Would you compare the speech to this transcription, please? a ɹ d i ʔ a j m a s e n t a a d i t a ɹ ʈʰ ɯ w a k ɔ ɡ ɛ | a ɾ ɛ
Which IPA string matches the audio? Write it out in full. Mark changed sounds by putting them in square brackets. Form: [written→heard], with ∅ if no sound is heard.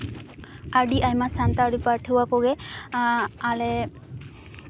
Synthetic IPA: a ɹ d i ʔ a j m a s [e→a] n t a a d i [t→p] a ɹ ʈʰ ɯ w a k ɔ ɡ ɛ | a [ɾ→l] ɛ